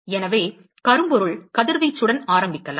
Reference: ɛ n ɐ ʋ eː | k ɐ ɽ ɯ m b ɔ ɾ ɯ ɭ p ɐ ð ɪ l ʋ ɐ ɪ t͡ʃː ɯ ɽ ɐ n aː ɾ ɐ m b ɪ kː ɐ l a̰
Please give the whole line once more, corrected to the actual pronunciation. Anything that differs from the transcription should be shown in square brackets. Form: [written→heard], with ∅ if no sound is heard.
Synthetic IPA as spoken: ɛ n ɐ ʋ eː | k ɐ [ɽ→ɾ] ɯ m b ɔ ɾ ɯ ɭ [p→k] ɐ ð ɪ [l→ɾ] ʋ ɐ ɪ t͡ʃː ɯ ɽ ɐ n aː ɾ ɐ m b ɪ kː ɐ l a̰